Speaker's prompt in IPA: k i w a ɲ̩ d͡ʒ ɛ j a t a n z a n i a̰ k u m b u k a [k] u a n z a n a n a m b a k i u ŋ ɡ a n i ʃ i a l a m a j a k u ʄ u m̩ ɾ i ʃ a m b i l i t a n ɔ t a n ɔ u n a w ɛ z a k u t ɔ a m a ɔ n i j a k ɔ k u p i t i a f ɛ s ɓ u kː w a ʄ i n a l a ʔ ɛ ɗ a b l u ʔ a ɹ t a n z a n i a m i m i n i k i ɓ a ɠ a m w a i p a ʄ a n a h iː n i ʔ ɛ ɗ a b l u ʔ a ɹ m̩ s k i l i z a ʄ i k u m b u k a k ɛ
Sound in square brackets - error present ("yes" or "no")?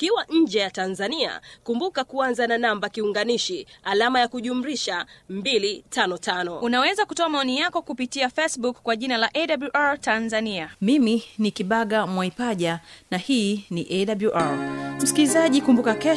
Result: no